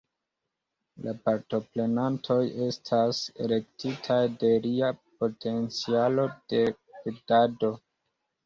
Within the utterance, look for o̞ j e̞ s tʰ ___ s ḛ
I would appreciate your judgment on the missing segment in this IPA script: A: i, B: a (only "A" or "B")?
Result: B